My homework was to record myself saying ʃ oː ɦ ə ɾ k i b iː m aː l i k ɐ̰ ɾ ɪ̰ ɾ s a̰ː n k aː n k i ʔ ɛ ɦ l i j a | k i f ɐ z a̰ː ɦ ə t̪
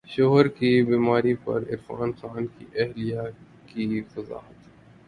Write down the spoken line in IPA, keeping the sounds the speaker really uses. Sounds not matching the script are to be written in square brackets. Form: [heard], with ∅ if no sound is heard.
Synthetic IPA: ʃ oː ɦ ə ɾ k i b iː m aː [ɾ] i [p] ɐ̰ ɾ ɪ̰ ɾ [f] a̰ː n [x] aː n k i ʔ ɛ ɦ l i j a | k i f ɐ z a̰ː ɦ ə t̪